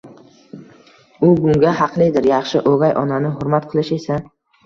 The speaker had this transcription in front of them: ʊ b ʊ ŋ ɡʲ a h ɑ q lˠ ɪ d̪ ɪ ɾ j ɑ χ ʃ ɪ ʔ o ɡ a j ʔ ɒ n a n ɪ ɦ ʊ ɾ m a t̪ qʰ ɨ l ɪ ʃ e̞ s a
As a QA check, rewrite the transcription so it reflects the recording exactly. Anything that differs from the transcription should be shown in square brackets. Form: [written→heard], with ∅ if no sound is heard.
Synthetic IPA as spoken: ʊ b ʊ ŋ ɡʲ a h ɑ q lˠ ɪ d̪ ɪ ɾ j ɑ χ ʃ ɪ ʔ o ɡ a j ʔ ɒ n a n ɪ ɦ ʊ ɾ m a t̪ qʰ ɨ l ɪ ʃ e̞ s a